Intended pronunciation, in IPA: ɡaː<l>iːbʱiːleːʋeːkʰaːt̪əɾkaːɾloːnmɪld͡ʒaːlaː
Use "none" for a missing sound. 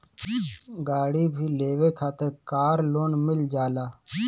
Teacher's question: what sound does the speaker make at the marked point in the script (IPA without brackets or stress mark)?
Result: ɽ